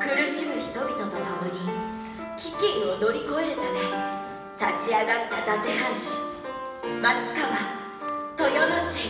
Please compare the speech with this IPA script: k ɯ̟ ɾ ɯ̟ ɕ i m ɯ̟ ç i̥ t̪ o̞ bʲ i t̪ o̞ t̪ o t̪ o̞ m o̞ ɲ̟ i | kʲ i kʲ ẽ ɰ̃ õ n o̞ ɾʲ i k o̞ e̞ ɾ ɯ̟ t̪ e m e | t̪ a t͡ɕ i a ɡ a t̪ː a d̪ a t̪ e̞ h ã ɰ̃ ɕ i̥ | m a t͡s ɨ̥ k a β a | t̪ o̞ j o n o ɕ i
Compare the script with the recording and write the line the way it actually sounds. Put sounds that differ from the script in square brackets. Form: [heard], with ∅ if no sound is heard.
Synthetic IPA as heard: k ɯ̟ ɾ ɯ̟ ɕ i m ɯ̟ ç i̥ t̪ o̞ bʲ i t̪ o̞ t̪ o t̪ o̞ m o̞ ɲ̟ i | kʲ i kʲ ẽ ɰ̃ [o] n o̞ ɾʲ i k o̞ e̞ ɾ ɯ̟ t̪ [a] m e | t̪ a t͡ɕ i a ɡ a t̪ː a d̪ a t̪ e̞ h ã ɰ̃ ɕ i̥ | m a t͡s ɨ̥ k a β a | t̪ o̞ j o n o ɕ i